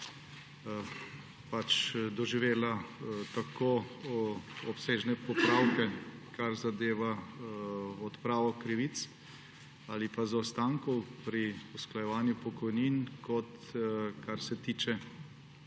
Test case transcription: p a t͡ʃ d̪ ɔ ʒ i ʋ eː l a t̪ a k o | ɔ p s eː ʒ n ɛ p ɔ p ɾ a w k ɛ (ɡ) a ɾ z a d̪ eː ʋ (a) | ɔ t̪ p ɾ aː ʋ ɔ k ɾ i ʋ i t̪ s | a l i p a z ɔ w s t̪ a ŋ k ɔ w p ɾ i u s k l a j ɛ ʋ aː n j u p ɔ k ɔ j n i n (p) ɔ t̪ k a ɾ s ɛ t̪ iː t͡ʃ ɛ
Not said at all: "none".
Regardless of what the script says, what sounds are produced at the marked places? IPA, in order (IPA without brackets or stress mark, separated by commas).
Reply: k, a, k